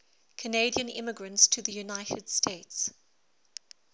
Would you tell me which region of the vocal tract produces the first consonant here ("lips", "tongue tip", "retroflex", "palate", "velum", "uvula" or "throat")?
velum